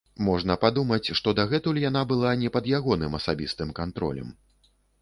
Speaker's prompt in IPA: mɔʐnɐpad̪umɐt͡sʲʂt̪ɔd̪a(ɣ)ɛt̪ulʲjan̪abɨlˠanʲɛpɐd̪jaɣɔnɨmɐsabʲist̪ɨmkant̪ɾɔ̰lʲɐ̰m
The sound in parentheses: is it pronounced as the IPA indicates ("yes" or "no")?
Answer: yes